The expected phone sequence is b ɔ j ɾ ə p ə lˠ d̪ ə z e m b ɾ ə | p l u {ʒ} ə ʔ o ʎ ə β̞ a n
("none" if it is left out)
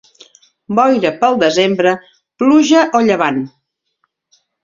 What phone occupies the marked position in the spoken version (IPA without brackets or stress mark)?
ʒ